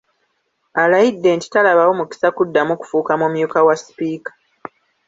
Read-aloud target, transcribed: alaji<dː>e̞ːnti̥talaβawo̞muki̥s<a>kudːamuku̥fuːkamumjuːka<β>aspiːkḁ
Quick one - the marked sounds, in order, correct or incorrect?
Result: correct, correct, incorrect: w

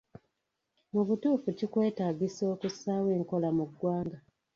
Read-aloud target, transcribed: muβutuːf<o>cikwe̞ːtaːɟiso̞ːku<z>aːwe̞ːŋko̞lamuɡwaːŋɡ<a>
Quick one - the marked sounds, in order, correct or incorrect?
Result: incorrect: u, incorrect: s, correct

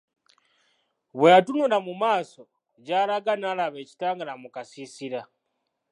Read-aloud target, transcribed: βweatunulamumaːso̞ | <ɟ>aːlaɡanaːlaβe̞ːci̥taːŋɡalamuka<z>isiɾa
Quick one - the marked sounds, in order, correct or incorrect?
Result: correct, incorrect: s

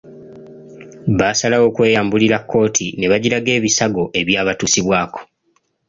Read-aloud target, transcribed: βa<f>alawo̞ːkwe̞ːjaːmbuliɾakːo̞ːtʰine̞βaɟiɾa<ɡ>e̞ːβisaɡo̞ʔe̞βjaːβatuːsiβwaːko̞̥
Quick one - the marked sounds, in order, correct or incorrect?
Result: incorrect: s, correct

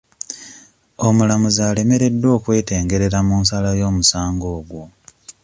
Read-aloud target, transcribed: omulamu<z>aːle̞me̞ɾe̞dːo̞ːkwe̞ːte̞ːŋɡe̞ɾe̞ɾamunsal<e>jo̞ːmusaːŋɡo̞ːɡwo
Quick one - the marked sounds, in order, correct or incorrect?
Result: correct, incorrect: a

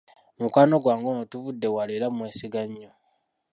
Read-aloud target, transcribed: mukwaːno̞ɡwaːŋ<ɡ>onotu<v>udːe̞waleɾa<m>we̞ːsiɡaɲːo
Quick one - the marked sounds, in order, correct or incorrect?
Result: correct, correct, correct

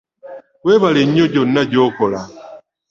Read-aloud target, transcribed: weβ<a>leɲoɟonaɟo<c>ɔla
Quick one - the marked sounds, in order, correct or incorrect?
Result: correct, incorrect: k

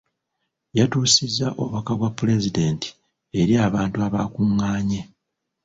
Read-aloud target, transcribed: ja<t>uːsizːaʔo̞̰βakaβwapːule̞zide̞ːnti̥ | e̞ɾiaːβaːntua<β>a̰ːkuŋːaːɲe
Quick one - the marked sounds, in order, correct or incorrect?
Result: correct, correct

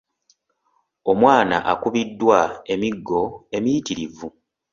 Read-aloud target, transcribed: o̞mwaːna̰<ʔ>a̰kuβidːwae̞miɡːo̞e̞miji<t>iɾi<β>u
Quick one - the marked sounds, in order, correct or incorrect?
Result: correct, correct, incorrect: v

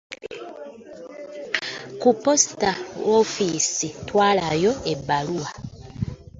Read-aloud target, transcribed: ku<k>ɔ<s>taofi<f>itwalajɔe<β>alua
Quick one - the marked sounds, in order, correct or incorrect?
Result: incorrect: p, correct, incorrect: s, incorrect: b

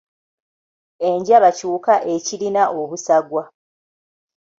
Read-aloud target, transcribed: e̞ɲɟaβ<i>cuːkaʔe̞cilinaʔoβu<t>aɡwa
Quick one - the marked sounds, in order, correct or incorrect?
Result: incorrect: a, incorrect: s

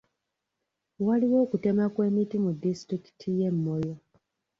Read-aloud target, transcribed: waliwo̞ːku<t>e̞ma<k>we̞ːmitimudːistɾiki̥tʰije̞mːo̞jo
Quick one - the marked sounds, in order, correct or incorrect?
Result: correct, correct

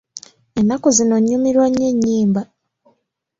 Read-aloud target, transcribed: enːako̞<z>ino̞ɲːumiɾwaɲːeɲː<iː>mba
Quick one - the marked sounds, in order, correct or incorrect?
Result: correct, correct

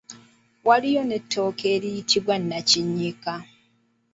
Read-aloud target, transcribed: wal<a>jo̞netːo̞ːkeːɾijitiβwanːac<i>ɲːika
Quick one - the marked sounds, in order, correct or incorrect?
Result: incorrect: i, correct

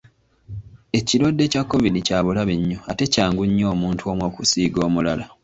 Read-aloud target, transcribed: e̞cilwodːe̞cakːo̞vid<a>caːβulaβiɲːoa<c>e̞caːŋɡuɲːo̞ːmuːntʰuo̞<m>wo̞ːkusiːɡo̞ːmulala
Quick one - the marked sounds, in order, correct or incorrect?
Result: incorrect: i, incorrect: t, correct

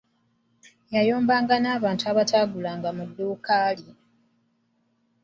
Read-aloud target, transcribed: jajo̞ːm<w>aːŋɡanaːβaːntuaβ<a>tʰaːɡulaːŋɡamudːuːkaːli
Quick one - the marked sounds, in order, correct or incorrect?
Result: incorrect: b, correct

